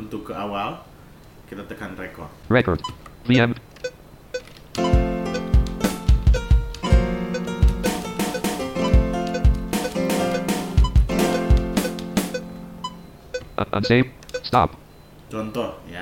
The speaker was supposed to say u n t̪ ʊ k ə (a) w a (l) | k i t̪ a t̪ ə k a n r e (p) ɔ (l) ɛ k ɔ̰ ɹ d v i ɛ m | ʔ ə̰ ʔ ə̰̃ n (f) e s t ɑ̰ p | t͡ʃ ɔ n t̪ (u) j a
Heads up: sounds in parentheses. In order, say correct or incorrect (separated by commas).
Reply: correct, correct, incorrect, incorrect, incorrect, incorrect